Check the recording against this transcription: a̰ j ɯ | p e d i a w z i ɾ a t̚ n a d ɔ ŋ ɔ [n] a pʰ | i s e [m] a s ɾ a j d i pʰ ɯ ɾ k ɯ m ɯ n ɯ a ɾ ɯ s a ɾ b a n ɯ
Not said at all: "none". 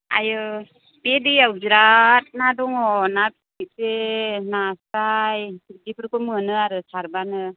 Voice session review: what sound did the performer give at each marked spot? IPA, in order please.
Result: n, n

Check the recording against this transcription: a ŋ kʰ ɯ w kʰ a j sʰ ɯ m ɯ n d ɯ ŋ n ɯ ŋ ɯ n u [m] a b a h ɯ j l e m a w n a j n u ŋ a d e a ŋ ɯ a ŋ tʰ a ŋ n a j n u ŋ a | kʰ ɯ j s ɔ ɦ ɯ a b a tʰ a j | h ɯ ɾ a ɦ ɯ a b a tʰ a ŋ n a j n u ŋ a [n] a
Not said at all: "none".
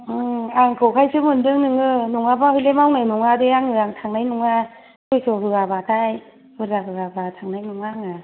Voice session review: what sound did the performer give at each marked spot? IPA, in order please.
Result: ŋ, ŋ

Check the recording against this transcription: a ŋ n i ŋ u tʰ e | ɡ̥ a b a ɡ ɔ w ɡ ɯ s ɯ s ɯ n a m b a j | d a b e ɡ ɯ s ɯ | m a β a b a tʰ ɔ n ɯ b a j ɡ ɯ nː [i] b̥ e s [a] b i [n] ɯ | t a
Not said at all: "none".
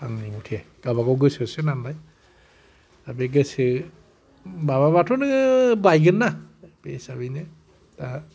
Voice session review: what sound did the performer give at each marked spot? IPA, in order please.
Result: a, a, n

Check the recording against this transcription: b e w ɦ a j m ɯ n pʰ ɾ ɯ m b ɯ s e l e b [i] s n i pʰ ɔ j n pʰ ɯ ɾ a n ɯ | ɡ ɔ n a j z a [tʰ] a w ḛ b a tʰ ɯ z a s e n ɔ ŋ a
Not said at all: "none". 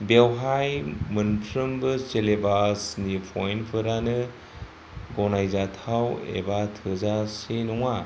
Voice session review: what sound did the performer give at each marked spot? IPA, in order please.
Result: a, tʰ

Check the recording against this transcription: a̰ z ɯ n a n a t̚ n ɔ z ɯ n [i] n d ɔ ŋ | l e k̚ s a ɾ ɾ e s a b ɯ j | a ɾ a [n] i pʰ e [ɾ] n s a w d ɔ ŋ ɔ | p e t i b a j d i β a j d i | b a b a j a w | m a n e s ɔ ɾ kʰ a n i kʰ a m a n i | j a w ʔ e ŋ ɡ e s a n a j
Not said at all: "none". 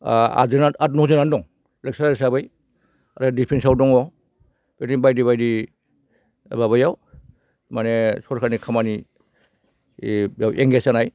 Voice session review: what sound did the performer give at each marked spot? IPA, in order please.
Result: a, d, none

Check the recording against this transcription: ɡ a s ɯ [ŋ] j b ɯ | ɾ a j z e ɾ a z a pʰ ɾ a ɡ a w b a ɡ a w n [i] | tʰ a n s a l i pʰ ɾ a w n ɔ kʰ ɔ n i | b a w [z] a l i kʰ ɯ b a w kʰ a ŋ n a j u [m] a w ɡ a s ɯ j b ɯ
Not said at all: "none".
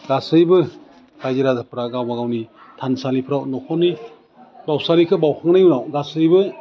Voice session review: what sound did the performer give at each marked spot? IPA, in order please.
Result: none, i, s, n

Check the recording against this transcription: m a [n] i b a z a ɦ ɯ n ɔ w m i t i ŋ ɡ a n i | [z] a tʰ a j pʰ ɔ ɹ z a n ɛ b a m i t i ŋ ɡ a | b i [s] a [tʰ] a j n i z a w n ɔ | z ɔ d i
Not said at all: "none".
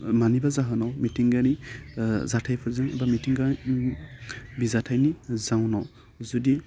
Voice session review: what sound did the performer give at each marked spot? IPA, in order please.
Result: n, z, z, tʰ

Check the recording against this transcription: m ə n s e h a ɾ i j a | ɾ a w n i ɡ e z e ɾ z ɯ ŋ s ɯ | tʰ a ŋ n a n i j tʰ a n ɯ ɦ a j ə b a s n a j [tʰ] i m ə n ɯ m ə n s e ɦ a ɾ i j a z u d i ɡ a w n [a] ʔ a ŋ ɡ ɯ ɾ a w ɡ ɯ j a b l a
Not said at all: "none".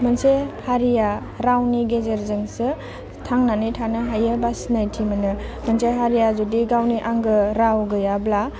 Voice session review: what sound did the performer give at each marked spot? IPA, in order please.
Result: tʰ, i

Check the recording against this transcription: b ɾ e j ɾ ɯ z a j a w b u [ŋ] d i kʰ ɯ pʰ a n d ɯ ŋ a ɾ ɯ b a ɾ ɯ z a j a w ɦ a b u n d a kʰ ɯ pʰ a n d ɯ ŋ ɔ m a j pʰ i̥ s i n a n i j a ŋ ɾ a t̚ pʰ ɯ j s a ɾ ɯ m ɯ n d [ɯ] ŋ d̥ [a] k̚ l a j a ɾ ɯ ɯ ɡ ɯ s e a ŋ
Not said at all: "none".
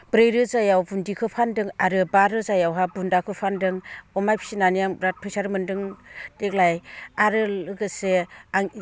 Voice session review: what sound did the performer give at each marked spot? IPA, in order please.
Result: n, ɯ, e

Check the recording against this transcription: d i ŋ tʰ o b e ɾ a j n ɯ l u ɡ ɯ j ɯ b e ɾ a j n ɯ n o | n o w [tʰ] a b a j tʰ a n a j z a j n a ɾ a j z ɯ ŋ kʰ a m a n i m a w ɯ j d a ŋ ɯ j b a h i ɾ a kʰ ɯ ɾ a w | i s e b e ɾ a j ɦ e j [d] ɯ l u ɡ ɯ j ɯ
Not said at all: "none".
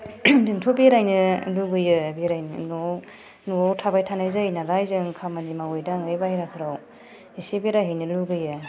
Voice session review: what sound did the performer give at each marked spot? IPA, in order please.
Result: tʰ, n

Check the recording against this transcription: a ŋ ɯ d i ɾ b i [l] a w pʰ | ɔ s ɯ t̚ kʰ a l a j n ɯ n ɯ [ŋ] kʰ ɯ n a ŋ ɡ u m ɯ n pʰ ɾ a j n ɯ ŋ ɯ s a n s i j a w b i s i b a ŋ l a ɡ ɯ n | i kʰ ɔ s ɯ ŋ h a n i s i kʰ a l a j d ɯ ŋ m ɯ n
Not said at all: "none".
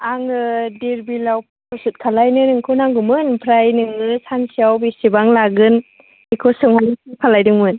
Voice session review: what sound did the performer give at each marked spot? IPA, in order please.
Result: l, ŋ

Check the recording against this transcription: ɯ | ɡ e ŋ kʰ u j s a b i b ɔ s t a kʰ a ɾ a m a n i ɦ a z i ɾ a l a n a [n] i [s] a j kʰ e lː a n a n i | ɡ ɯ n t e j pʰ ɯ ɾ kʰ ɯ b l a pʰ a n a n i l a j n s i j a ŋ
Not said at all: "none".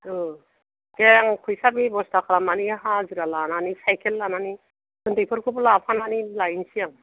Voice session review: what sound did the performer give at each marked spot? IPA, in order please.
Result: n, s

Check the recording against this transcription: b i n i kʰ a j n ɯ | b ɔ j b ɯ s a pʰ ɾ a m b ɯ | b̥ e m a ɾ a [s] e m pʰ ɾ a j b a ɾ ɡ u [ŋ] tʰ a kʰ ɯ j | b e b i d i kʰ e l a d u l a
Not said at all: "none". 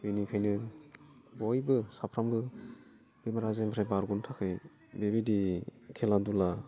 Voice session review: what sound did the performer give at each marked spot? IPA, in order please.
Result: z, n

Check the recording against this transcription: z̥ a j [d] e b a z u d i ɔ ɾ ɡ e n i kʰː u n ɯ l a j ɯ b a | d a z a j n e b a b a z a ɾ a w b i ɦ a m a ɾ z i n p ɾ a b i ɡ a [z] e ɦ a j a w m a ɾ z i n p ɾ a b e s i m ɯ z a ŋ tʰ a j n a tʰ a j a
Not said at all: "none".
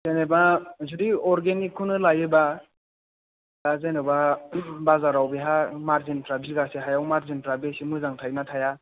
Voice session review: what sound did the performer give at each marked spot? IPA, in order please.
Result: n, s

